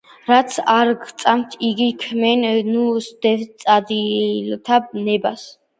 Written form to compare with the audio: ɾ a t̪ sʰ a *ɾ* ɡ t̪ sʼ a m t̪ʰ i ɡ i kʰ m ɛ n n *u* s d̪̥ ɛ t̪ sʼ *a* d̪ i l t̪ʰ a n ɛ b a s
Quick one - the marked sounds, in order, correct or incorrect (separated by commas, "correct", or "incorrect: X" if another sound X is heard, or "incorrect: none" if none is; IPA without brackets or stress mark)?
correct, correct, correct